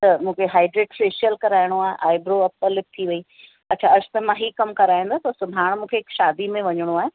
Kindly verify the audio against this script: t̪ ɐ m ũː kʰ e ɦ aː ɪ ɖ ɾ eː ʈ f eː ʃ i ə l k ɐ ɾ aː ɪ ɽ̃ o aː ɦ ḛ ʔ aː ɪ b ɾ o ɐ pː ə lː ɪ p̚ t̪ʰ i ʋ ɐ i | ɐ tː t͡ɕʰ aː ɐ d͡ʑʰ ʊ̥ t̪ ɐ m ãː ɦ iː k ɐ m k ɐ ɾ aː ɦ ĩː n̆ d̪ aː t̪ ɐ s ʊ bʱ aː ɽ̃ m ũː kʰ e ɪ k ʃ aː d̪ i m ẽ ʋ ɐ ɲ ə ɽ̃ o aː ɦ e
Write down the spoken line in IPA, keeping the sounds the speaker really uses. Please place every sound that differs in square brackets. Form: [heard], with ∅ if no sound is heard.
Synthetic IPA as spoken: t̪ ɐ m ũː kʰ e ɦ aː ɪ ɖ ɾ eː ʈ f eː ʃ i ə l k ɐ ɾ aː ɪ ɽ̃ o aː ɦ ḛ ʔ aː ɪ b ɾ o ɐ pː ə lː ɪ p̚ t̪ʰ i ʋ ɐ i | ɐ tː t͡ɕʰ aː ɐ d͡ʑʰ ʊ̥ t̪ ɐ m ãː ɦ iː k ɐ m k ɐ ɾ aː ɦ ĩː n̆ d̪ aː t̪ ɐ s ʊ bʱ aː ɽ̃ m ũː kʰ e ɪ k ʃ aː d̪ i m ẽ ʋ ɐ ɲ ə ɽ̃ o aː ɦ e